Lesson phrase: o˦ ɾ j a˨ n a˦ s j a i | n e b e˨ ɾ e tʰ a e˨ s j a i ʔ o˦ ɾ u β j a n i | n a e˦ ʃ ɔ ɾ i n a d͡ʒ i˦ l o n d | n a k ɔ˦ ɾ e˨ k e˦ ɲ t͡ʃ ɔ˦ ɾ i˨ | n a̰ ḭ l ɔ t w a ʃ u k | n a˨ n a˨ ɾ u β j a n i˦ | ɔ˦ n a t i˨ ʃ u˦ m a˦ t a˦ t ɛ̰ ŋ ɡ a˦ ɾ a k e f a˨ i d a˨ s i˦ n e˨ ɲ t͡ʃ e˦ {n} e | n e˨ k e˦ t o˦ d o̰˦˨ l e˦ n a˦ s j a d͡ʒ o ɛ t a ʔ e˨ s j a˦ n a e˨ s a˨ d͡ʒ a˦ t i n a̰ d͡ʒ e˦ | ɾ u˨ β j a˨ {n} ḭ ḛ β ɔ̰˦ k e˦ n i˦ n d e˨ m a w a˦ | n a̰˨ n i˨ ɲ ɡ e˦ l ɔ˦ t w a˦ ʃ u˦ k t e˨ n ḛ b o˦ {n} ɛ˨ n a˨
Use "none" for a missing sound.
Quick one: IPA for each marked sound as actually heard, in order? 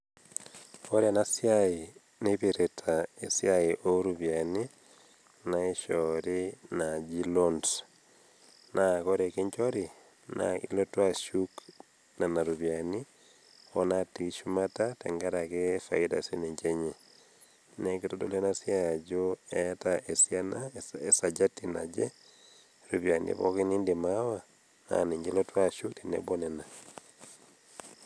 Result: ɲ, n, n

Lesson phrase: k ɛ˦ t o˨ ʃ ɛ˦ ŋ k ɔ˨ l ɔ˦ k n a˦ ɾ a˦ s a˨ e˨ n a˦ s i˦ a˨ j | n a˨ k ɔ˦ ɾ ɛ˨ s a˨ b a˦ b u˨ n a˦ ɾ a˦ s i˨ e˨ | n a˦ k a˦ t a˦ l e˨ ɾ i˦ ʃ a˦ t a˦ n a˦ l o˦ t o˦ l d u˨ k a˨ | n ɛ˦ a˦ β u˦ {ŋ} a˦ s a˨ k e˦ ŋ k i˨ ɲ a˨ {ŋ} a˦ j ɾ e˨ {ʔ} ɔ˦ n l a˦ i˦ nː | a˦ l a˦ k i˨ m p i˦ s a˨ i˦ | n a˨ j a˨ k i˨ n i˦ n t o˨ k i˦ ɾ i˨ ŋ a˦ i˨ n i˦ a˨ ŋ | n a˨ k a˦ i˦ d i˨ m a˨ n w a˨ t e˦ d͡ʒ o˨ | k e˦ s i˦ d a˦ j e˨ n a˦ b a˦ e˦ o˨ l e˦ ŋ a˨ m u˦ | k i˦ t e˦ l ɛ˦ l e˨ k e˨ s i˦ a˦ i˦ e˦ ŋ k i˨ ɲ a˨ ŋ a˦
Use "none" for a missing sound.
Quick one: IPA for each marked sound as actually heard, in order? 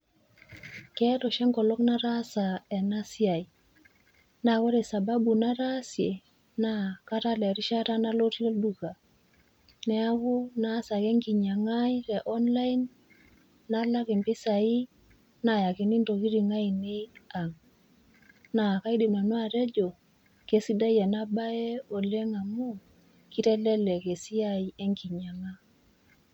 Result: n, ŋ, ʔ

